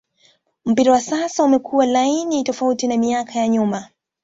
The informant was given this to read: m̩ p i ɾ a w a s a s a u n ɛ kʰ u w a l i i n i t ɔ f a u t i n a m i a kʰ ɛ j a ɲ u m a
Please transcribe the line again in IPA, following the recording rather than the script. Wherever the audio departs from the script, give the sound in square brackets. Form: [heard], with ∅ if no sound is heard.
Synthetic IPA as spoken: m̩ p i ɾ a w a s a s a u [m] ɛ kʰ u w a l [a] i n i t ɔ f a u t i n a m i a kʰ [a] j a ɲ u m a